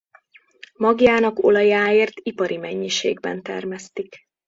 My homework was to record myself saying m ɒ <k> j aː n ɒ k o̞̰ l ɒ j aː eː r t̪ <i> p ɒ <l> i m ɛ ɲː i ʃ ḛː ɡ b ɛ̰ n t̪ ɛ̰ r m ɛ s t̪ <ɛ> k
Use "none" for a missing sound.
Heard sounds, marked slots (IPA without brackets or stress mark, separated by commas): ɡ, i, ɾ, i